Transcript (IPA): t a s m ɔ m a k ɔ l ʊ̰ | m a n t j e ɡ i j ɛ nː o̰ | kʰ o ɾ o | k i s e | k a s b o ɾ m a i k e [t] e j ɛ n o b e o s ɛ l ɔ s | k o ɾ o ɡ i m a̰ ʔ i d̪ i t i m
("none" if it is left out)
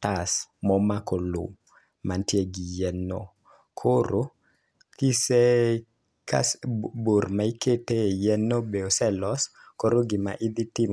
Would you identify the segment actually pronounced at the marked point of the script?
t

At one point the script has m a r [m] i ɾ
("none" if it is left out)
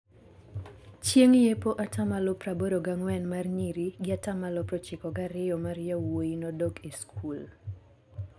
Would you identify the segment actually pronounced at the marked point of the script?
ɲ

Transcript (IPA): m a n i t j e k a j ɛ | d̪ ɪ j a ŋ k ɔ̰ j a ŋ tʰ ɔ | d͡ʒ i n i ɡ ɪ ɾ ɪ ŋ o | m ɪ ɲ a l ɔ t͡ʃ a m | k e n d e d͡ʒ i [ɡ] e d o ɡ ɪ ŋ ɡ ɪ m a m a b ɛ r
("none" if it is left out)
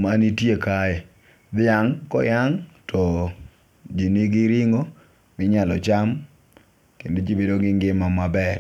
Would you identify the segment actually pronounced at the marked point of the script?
b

